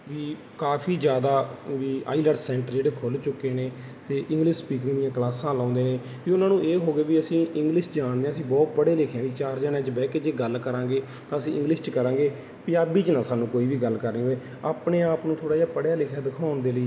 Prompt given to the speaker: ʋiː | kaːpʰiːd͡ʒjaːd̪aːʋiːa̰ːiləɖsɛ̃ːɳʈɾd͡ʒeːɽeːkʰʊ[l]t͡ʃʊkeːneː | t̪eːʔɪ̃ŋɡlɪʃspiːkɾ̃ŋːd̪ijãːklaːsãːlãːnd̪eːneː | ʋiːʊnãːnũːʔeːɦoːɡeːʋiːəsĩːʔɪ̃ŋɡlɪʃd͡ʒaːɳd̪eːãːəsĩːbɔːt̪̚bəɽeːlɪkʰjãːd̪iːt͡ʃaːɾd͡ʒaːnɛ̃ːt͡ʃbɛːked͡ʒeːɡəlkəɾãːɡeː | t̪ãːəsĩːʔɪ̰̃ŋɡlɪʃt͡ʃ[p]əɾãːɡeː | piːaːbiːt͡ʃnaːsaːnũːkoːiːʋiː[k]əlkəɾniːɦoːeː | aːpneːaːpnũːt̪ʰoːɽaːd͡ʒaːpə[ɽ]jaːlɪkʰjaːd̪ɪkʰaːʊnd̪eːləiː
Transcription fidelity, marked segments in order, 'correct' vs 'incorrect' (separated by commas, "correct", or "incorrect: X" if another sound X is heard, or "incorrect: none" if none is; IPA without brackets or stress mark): correct, incorrect: k, incorrect: ɡ, correct